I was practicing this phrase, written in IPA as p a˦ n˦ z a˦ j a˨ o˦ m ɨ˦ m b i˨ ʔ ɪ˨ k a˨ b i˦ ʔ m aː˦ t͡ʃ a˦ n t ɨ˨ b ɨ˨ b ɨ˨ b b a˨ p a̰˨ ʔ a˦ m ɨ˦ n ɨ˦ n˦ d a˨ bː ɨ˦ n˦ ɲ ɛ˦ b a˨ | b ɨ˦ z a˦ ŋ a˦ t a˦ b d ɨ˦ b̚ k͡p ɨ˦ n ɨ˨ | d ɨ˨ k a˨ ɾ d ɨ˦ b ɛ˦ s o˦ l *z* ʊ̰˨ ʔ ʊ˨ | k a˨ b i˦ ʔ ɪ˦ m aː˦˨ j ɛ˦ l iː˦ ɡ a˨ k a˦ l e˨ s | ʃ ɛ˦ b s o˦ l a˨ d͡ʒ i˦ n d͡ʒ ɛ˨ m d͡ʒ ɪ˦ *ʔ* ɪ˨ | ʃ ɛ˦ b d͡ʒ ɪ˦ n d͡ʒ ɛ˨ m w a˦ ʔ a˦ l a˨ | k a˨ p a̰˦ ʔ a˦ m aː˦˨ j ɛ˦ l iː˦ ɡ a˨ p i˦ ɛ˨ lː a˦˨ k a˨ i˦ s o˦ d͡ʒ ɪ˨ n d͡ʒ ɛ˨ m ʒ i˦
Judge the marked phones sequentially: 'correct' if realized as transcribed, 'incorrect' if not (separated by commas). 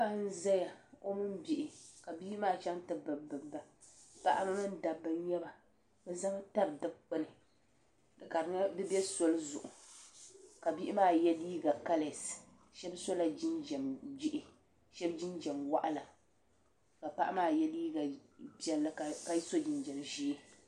correct, correct